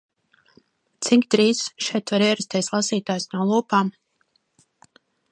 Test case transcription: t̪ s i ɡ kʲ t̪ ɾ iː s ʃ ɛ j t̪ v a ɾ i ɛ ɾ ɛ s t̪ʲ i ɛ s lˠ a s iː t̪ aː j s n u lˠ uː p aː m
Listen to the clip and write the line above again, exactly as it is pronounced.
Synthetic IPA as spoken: t̪ s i ŋ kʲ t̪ ɾ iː s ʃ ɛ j t̪ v a ɾ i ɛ ɾ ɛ s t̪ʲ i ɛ s lˠ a s iː t̪ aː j s n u lˠ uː p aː m